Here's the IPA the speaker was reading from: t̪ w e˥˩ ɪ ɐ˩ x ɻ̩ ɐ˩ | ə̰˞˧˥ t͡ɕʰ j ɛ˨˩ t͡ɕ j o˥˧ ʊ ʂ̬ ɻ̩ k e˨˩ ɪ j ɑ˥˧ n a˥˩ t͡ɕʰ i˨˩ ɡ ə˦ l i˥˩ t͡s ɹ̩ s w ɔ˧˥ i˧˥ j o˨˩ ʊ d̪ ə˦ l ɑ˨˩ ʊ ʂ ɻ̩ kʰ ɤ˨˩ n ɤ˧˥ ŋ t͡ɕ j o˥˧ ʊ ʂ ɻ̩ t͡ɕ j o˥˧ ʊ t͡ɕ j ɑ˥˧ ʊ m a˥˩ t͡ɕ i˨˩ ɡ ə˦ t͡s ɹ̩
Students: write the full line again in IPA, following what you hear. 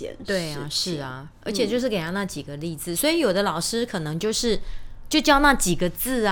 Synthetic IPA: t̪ w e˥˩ ɪ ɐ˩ ʂ ɻ̩ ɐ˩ | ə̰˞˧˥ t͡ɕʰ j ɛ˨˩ t͡ɕ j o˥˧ ʊ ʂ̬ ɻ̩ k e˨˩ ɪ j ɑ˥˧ n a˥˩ t͡ɕ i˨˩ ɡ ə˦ l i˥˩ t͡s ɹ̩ s w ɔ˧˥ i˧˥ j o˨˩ ʊ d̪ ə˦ l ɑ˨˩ ʊ ʂ ɻ̩ kʰ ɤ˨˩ n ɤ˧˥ ŋ t͡ɕ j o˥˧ ʊ ʂ ɻ̩ t͡ɕ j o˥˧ ʊ t͡ɕ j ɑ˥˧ ʊ n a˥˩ t͡ɕ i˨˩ ɡ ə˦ t͡s ɹ̩